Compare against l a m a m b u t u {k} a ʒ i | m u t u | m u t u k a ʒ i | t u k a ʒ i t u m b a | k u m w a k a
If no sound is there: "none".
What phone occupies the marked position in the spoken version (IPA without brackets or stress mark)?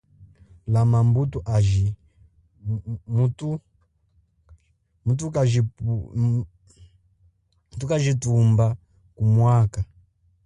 ʔ